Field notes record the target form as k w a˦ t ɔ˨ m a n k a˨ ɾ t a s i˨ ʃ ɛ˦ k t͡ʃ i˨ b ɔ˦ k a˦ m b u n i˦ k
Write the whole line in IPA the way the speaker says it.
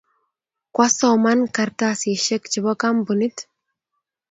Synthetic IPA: k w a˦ s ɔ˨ m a n k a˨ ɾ t a s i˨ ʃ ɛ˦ k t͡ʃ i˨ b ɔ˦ k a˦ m b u n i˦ t